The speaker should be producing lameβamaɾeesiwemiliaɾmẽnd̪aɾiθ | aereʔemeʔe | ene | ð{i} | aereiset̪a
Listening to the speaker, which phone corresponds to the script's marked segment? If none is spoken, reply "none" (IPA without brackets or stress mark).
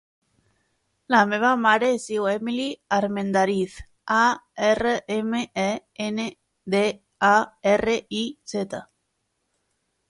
e